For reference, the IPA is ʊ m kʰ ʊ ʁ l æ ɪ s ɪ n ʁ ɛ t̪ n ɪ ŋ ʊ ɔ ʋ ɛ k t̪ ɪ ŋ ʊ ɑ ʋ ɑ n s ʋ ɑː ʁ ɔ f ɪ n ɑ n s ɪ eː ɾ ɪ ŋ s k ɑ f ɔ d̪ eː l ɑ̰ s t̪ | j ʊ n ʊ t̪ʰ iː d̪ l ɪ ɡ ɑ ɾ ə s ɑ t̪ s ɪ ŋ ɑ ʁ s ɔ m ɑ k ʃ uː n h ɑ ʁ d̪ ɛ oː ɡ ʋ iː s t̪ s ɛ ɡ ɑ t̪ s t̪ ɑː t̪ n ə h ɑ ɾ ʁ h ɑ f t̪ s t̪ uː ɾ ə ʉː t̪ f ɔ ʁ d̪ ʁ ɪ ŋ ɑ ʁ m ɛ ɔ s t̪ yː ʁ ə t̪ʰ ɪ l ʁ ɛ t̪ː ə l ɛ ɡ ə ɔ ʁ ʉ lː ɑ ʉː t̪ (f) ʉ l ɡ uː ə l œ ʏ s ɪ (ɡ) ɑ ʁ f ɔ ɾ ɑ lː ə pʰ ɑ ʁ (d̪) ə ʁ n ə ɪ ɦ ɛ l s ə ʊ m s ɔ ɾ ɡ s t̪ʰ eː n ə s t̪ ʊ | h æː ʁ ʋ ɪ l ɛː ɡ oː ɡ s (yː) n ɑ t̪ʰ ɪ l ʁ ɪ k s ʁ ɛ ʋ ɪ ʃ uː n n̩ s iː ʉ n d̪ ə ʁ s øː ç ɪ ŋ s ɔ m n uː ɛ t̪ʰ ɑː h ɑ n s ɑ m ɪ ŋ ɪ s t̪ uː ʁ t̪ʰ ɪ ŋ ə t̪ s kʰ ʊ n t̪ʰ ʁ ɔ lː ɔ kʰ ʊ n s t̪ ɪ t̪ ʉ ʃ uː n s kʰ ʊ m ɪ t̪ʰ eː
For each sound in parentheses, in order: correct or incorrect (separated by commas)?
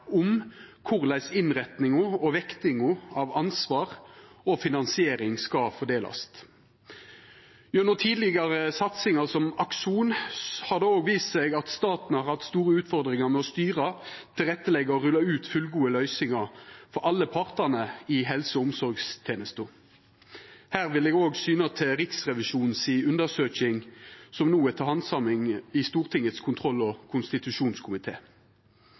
correct, incorrect, incorrect, correct